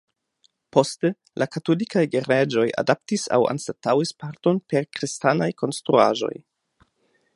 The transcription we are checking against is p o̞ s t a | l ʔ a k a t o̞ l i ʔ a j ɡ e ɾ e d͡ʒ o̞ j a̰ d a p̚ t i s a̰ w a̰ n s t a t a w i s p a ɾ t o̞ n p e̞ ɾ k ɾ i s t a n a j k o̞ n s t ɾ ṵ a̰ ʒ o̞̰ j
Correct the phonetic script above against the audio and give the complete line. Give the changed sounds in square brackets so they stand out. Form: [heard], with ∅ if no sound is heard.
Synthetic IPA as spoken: p o̞ s t [e] | l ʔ a k a t o̞ l i [k] a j ɡ e ɾ e d͡ʒ o̞ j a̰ d a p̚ t i s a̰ w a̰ n s t a t a w i s p a ɾ t o̞ n p e̞ ɾ k ɾ i s t a n a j k o̞ n s t ɾ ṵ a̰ ʒ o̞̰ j